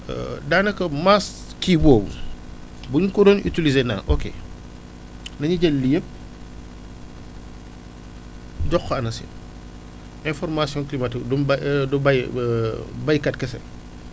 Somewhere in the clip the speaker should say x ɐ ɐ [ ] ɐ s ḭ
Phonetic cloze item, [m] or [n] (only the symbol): n